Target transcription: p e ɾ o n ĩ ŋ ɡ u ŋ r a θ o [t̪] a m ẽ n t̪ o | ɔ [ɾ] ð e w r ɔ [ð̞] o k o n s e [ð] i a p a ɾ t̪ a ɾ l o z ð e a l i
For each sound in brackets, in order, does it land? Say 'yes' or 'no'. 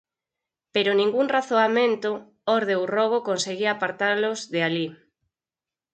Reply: no, yes, no, no

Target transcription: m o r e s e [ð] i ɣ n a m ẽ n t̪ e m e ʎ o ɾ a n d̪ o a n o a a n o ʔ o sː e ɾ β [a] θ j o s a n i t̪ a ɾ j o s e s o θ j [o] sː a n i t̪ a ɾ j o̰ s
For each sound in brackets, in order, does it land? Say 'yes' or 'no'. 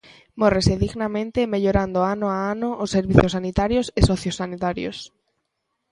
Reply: yes, no, yes

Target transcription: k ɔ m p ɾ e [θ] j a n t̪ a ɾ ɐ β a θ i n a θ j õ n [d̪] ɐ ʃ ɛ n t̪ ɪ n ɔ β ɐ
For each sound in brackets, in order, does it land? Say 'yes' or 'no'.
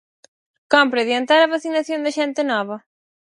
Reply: no, yes

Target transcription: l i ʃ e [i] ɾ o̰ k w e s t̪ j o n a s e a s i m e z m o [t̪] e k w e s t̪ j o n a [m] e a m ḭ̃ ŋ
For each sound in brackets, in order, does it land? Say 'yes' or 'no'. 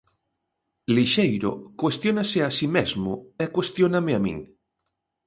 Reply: no, no, yes

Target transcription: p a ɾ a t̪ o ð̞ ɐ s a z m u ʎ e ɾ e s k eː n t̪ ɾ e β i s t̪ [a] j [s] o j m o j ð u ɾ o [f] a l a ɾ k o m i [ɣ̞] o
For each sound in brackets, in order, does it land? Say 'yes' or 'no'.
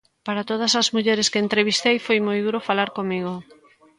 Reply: no, no, yes, yes

